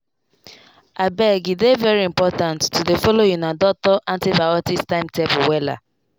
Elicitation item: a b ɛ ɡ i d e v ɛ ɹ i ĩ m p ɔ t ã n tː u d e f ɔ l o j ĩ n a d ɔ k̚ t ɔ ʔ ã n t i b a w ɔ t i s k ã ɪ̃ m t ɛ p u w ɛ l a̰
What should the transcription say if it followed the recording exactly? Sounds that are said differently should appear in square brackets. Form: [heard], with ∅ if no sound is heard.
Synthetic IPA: a b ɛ ɡ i d e v ɛ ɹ i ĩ m p ɔ t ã n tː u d e f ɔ l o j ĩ n a d ɔ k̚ t ɔ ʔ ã n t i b a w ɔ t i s [t] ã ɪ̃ m t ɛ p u w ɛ l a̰